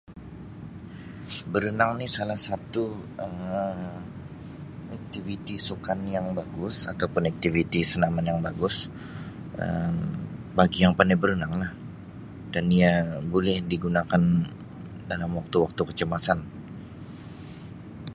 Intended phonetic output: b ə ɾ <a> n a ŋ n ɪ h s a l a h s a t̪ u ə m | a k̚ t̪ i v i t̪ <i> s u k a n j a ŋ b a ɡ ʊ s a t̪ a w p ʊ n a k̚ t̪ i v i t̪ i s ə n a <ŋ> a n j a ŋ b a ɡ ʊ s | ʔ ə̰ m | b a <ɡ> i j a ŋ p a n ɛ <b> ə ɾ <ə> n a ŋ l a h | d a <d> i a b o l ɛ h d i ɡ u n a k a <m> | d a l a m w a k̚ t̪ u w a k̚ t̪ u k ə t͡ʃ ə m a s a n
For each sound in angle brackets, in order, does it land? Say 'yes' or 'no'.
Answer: no, yes, no, yes, yes, yes, no, no

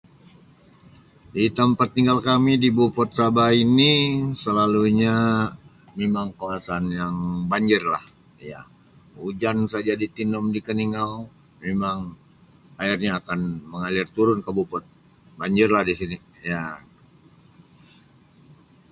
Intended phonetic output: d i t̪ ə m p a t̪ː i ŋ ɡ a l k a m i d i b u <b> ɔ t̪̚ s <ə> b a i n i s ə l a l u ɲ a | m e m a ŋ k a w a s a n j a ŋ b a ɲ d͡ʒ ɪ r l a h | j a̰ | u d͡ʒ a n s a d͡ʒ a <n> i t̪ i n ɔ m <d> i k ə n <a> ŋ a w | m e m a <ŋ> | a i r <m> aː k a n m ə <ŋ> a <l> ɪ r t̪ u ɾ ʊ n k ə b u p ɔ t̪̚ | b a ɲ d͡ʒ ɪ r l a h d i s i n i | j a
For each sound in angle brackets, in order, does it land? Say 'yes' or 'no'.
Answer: no, no, no, yes, no, yes, no, yes, yes

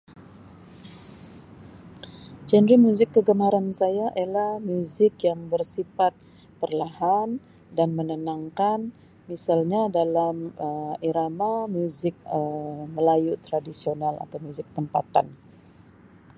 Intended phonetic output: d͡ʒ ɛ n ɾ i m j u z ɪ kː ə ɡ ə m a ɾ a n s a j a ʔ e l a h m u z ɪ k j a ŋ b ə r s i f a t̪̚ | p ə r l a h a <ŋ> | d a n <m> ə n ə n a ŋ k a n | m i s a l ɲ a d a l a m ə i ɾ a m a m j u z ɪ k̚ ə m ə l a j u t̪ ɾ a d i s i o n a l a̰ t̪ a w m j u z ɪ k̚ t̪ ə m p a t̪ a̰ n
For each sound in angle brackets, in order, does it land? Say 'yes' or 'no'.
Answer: no, yes

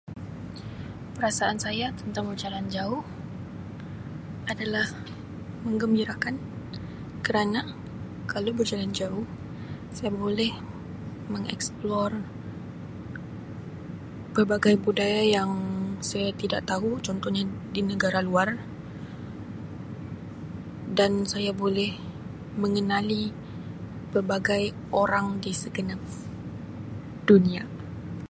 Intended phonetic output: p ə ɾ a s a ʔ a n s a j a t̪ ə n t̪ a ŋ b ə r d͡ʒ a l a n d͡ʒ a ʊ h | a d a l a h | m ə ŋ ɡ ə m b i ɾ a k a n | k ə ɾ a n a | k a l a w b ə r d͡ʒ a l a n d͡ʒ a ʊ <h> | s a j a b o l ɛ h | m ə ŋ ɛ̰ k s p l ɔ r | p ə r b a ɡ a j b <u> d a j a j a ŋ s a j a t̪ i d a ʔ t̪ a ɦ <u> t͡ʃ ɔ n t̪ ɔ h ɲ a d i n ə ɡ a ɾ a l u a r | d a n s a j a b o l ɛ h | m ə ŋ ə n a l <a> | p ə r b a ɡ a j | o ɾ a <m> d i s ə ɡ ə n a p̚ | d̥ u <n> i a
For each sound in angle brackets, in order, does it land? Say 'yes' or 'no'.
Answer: yes, yes, yes, no, no, yes

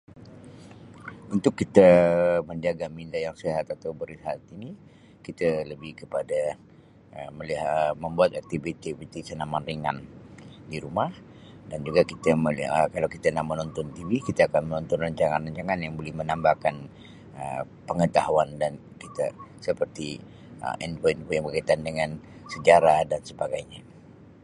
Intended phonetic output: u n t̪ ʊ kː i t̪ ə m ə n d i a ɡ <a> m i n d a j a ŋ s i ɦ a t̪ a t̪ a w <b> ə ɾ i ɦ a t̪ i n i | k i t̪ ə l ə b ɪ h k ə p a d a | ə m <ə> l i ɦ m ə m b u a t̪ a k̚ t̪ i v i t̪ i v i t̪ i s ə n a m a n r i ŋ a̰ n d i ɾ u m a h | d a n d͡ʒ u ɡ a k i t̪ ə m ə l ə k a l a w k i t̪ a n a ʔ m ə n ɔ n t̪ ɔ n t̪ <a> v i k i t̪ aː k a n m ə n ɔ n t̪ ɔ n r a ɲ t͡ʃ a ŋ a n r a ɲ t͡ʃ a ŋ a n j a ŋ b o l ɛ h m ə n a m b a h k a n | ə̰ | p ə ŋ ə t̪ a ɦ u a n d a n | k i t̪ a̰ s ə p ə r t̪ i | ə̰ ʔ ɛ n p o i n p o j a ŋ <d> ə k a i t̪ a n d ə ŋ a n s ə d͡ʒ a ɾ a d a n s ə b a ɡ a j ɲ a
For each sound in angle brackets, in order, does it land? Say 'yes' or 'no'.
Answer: yes, yes, yes, no, no

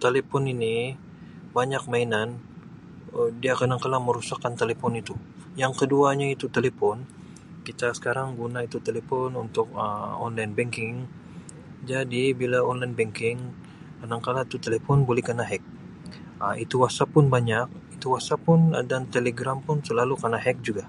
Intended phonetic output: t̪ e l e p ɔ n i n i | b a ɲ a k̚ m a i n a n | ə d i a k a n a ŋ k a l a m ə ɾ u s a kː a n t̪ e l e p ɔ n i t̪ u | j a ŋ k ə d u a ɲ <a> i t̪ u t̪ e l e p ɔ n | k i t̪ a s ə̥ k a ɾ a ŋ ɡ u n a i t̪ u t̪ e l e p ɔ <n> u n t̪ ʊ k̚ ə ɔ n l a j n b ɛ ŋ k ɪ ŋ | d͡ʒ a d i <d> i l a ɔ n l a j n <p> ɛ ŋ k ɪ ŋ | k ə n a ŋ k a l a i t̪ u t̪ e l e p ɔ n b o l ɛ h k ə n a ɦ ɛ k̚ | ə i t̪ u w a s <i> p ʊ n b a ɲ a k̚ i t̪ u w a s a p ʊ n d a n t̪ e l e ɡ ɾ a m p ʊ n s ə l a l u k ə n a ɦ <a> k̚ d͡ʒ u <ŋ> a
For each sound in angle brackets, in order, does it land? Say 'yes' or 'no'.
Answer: yes, yes, no, no, no, no, no

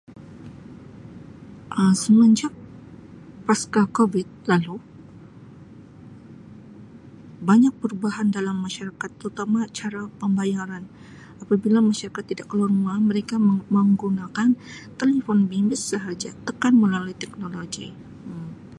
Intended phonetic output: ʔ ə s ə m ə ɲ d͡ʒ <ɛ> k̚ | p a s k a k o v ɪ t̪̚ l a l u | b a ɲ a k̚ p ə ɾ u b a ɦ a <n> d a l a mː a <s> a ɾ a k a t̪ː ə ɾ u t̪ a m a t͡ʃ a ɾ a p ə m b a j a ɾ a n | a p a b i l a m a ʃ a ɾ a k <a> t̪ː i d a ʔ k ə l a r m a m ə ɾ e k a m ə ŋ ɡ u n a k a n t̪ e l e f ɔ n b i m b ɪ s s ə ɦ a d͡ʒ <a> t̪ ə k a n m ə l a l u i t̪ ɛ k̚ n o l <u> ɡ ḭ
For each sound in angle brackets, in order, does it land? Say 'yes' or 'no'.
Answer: no, yes, no, yes, yes, no

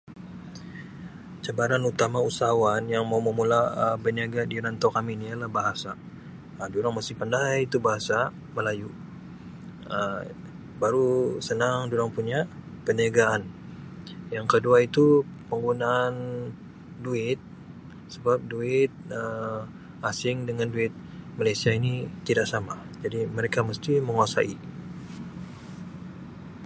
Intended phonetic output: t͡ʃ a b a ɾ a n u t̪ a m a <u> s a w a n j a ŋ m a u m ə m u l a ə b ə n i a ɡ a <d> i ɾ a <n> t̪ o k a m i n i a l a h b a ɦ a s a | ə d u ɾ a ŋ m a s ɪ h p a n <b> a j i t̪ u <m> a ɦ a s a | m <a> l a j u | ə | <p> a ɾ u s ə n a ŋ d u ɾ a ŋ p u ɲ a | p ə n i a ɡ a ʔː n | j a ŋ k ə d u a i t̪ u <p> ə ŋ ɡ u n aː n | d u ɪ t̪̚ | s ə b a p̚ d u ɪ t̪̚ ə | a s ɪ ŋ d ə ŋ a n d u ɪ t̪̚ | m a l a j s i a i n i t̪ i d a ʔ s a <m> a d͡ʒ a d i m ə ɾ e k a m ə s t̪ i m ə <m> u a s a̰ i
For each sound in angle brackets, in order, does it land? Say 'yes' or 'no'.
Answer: yes, yes, yes, no, no, no, no, yes, yes, no

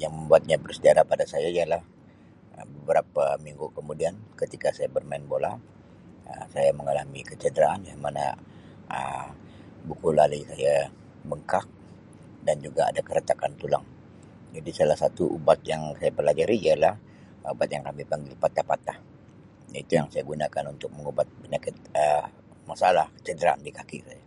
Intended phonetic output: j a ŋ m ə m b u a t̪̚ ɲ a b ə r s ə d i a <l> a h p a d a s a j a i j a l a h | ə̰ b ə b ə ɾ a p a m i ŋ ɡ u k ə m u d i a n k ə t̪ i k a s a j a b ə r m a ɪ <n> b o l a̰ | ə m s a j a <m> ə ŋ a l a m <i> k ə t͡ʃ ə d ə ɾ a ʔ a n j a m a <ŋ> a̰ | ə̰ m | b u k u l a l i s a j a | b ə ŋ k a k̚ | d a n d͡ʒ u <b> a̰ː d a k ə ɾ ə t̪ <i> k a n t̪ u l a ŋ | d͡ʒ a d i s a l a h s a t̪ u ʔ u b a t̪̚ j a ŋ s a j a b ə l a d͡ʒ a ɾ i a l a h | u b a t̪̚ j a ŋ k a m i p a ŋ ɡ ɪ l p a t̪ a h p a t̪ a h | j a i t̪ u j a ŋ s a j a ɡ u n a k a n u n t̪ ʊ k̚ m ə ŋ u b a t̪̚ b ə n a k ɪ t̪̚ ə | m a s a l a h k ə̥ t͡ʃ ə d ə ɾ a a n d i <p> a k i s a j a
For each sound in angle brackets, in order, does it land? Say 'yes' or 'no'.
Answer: no, yes, yes, yes, no, no, no, no

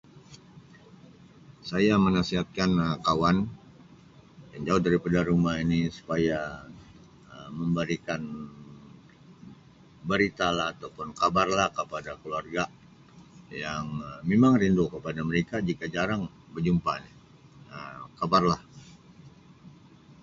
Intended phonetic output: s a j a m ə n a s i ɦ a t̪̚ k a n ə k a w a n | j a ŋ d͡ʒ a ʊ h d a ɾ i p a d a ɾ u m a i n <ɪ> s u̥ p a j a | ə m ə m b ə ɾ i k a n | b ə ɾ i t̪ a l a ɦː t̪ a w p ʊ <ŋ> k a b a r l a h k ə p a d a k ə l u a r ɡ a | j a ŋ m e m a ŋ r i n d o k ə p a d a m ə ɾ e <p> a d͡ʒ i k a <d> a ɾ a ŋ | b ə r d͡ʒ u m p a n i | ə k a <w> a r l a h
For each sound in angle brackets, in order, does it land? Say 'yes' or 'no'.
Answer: no, no, no, no, no

